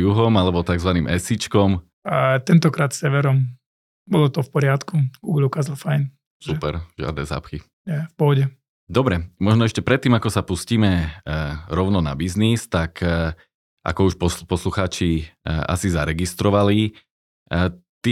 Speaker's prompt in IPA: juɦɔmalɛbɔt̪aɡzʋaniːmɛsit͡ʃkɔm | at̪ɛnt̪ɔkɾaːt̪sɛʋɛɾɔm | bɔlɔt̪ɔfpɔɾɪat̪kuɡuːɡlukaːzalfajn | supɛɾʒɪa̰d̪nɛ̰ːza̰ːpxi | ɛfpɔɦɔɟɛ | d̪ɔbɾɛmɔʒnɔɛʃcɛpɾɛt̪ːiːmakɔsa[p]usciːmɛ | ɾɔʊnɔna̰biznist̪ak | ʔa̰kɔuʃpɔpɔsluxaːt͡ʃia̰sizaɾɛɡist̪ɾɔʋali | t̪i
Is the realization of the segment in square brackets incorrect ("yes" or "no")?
no